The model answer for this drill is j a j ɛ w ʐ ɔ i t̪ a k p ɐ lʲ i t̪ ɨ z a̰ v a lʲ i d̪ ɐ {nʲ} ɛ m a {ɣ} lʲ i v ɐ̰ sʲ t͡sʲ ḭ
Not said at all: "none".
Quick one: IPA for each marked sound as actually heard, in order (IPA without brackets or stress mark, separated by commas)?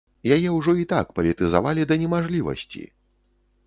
nʲ, ʐ